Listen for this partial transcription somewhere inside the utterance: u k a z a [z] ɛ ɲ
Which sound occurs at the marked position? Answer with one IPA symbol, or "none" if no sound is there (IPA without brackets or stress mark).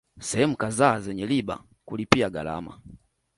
z